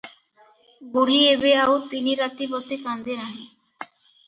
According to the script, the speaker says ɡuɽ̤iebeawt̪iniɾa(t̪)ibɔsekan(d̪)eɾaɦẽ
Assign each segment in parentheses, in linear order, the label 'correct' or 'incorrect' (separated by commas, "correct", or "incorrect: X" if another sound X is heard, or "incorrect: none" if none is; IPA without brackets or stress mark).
correct, correct